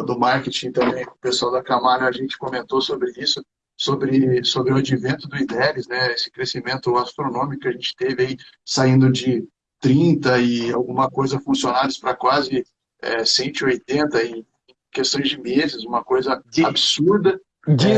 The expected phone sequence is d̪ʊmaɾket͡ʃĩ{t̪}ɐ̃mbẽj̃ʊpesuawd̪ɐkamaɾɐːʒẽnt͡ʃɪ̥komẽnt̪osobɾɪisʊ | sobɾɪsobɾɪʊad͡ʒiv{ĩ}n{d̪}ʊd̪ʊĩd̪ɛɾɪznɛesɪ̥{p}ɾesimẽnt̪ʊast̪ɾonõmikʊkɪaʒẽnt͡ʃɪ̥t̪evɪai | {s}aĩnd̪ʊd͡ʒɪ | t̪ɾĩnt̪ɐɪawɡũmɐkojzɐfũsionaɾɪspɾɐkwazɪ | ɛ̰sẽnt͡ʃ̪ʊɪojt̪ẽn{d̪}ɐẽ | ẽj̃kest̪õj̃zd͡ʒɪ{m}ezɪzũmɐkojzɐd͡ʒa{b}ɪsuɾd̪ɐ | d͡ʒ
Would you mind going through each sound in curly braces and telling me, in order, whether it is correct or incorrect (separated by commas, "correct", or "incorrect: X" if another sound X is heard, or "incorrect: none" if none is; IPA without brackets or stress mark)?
correct, incorrect: ẽ, incorrect: t̪, incorrect: k, correct, incorrect: t̪, correct, correct